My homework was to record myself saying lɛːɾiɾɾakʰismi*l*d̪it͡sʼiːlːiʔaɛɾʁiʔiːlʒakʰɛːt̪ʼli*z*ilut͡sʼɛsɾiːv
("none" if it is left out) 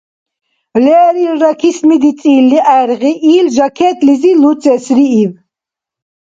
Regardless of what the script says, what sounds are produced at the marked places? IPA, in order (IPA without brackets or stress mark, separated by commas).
none, z